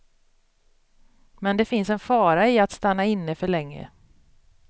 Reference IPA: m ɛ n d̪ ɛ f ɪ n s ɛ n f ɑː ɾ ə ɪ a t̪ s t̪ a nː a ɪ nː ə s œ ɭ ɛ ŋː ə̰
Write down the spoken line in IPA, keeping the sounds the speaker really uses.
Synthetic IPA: m ɛ n d̪ ɛ f ɪ n s ɛ n f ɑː ɾ a ɪ a t̪ s t̪ a nː a ɪ nː ə f œ ɭ ɛ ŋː ə̰